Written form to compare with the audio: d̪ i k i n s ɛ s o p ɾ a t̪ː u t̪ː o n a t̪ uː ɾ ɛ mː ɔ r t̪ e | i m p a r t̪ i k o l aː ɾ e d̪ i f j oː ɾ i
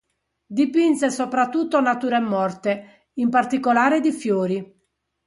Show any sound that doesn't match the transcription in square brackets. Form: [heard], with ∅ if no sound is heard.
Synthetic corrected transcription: d̪ i [p] i n s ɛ s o p ɾ a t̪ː u t̪ː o n a t̪ uː ɾ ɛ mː ɔ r t̪ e | i m p a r t̪ i k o l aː ɾ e d̪ i f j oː ɾ i

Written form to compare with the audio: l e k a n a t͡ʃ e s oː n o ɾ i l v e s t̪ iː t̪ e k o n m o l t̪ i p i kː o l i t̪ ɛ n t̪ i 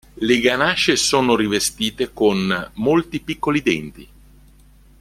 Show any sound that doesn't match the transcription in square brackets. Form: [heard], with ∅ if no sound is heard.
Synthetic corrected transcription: l e [ɡ] a n a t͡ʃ e s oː n o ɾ i [∅] v e s t̪ iː t̪ e k o n m o l t̪ i p i kː o l i [d̪] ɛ n t̪ i

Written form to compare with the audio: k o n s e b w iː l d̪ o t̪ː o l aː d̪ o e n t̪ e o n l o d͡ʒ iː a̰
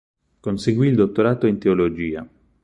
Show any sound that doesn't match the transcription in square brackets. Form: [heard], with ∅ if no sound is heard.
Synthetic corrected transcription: k o n s e [ɡ] w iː l d̪ o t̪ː o [ɾ] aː [t̪] o [i] n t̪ e o [∅] l o d͡ʒ iː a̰

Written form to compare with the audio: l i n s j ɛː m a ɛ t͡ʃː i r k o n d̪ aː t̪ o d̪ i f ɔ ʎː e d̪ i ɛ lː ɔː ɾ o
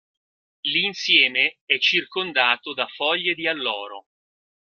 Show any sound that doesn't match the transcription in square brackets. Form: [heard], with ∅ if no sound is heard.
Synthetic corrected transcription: l i n s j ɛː m [e] ɛ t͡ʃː i r k o n d̪ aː t̪ o d̪ [a] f ɔ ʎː e d̪ i [a] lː ɔː ɾ o

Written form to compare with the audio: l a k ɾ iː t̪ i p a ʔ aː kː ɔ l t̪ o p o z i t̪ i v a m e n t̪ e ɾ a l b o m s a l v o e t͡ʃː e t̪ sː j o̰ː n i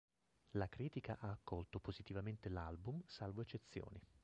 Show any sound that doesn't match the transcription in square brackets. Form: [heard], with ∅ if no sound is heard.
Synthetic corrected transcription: l a k ɾ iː t̪ i [k] a ʔ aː kː ɔ l t̪ o p o z i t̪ i v a m e n t̪ e [l] a l b [u] m s a l v o e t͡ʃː e t̪ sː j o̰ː n i

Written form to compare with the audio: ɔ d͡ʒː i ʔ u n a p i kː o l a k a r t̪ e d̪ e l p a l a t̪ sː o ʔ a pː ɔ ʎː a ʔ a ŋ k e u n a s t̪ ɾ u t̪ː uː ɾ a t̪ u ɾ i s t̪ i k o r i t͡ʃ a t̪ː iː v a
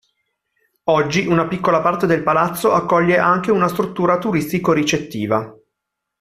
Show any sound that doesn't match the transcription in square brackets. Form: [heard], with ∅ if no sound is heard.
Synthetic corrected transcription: ɔ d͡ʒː i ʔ u n a p i kː o l a [p] a r t̪ e d̪ e l p a l a t̪ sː o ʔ a [kː] ɔ ʎː [e] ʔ a ŋ k e u n a s t̪ ɾ u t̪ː uː ɾ a t̪ u ɾ i s t̪ i k o [ɾ] i t͡ʃ [e] t̪ː iː v a

